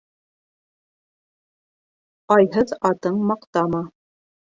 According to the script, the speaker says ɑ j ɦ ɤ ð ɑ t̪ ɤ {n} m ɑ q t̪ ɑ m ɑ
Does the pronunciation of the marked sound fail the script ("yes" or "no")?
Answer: yes